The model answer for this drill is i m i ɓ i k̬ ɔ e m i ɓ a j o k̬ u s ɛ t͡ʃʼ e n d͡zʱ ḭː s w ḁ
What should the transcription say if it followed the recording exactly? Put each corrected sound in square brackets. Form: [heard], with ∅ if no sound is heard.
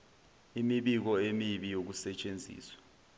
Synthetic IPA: i m i ɓ i k̬ ɔ e m i ɓ [i] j o k̬ u s ɛ t͡ʃʼ e n d͡zʱ ḭː s w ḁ